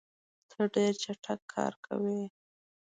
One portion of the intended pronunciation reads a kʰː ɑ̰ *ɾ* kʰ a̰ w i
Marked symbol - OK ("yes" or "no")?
yes